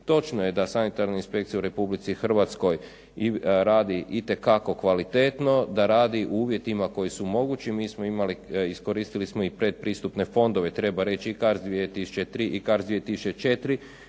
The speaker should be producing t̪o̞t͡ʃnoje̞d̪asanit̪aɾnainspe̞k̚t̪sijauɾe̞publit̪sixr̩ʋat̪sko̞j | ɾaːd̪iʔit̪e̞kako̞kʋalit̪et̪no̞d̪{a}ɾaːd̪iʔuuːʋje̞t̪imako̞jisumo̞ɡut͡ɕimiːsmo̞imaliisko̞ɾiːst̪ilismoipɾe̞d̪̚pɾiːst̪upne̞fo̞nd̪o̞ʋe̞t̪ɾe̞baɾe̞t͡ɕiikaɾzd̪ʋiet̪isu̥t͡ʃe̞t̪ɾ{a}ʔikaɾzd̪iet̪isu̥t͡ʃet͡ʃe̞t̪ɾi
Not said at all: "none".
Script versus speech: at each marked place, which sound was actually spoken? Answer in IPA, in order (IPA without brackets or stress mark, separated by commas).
a, i